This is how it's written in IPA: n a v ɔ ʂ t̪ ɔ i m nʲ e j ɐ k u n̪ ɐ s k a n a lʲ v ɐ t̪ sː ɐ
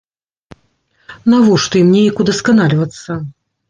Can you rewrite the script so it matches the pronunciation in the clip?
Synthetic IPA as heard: n a v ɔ ʂ t̪ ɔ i m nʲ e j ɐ k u d̪ ɐ s k a n a lʲ v ɐ t̪ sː ɐ